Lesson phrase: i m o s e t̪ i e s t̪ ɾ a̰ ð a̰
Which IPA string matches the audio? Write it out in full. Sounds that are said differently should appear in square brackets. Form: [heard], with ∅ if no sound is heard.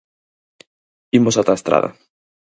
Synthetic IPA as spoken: i m o s [a] t̪ [a] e s t̪ ɾ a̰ ð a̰